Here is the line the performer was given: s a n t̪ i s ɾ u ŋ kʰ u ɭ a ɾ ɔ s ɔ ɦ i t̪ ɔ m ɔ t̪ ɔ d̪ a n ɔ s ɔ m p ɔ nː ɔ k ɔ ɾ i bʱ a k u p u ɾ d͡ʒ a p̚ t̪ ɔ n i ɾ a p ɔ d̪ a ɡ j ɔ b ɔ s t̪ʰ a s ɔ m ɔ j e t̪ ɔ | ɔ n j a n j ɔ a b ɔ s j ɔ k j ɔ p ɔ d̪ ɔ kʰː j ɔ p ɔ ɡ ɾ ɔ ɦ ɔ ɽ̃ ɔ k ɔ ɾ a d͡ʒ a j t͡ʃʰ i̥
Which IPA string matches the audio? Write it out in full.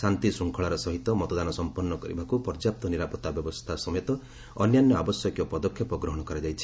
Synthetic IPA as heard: s a n t̪ i s ɾ u ŋ kʰ ɔ ɭ a ɾ ɔ s ɔ ɦ i t̪ ɔ m ɔ t̪ ɔ d̪ a n ɔ s ɔ m p ɔ nː ɔ k ɔ ɾ i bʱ a k u p ɔ ɾ d͡ʒ a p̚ t̪ ɔ n i ɾ a p ɔ t̪ a b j ɔ b ɔ s t̪ʰ a s ɔ m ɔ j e t̪ ɔ | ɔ n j a n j ɔ a b ɔ s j ɔ k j ɔ p ɔ d̪ ɔ kʰː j ɔ p ɔ ɡ ɾ ɔ ɦ ɔ ɽ̃ ɔ k ɔ ɾ a d͡ʒ a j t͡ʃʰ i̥